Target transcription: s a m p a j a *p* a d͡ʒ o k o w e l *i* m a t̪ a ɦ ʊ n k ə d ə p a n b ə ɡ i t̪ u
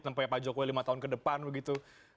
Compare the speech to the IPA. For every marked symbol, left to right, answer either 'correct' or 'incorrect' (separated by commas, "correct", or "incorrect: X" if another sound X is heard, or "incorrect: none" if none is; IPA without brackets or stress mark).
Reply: correct, correct